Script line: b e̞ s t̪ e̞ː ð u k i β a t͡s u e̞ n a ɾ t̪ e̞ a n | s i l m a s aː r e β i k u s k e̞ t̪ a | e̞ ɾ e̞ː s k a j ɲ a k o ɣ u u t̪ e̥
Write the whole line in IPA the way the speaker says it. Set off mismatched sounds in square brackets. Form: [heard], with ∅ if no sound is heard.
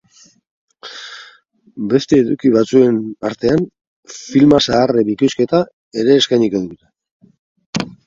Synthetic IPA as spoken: b e̞ s t̪ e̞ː ð u k i β a t͡s u e̞ n a ɾ t̪ e̞ a n | [f] i l m a s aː r e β i k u s k e̞ t̪ a | e̞ ɾ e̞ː s k a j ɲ [i] k o [ð] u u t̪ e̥

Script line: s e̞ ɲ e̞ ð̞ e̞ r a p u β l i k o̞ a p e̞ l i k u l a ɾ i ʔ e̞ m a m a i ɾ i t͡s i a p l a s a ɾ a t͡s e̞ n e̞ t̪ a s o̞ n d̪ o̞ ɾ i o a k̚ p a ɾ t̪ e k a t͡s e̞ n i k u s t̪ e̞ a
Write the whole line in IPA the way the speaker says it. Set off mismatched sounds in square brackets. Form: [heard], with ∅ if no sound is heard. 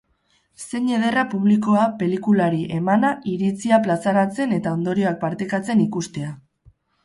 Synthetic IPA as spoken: s e̞ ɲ e̞ ð̞ e̞ r a p u β l i k o̞ a p e̞ l i k u l a ɾ i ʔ e̞ m a [n] a i ɾ i t͡s i a p l a s a ɾ a t͡s e̞ n e̞ t̪ a [∅] o̞ n d̪ o̞ ɾ i o a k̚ p a ɾ t̪ e k a t͡s e̞ n i k u s t̪ e̞ a

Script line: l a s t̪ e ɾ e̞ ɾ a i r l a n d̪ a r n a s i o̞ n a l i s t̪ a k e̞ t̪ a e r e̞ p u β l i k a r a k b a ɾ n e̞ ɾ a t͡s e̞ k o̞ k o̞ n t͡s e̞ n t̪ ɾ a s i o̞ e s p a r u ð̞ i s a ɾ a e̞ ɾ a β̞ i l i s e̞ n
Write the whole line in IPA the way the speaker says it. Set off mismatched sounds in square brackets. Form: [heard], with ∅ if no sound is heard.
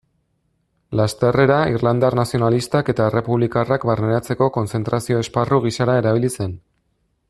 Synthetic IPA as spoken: l a s t̪ e [r] e̞ ɾ a i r l a n d̪ a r n a s i o̞ n a l i s t̪ a k e̞ t̪ a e r e̞ p u β l i k a r a k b a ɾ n e̞ ɾ a t͡s e̞ k o̞ k o̞ n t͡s e̞ n t̪ ɾ a s i o̞ e s p a r u [ɣ̞] i s a ɾ a e̞ ɾ a β̞ i l i s e̞ n

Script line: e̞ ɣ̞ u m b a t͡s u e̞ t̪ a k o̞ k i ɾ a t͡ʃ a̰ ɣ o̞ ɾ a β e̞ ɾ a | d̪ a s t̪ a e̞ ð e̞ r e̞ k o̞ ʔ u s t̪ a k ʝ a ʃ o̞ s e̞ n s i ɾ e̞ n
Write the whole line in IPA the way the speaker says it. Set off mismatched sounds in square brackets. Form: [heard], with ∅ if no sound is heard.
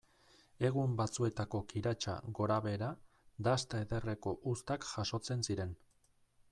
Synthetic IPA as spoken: e̞ ɣ̞ u m b a t͡s u e̞ t̪ a k o̞ k i ɾ a t͡ʃ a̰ ɣ o̞ ɾ a β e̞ ɾ a | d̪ a s t̪ a e̞ ð e̞ r e̞ k o̞ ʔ u s t̪ a k ʝ a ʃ o̞ [t͡s] e̞ n s i ɾ e̞ n

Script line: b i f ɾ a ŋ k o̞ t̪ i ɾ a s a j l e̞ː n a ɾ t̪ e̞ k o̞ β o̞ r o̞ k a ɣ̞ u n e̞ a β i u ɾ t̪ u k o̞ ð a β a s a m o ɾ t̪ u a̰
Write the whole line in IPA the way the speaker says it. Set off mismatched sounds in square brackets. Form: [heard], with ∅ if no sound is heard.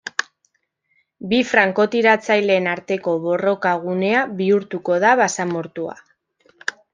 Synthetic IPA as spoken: b i f ɾ a ŋ k o̞ t̪ i ɾ a [t͡s] a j l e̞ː n a ɾ t̪ e̞ k o̞ β o̞ r o̞ k a ɣ̞ u n e̞ a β i u ɾ t̪ u k o̞ ð a β a s a m o ɾ t̪ u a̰

